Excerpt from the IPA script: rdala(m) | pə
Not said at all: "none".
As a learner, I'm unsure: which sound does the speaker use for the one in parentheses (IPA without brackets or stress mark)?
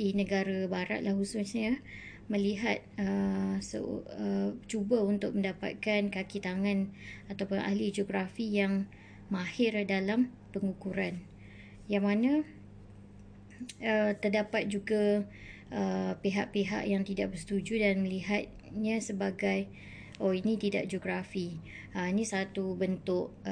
m